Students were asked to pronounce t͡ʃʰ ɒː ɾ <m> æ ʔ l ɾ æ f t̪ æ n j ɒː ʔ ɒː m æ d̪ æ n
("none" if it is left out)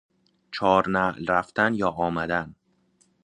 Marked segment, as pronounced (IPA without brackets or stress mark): n